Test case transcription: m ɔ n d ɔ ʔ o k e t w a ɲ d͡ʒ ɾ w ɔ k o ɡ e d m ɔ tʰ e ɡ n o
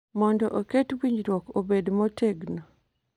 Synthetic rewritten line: m ɔ n d ɔ ʔ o k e t w i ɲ d͡ʒ ɾ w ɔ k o b e d m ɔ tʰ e ɡ n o